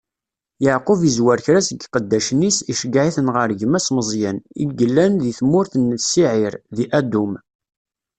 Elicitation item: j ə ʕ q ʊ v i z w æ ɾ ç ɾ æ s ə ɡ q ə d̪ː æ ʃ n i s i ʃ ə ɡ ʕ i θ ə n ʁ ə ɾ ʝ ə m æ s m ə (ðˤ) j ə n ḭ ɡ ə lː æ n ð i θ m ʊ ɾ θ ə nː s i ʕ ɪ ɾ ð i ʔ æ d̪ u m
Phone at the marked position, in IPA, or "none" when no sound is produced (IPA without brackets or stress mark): zˤ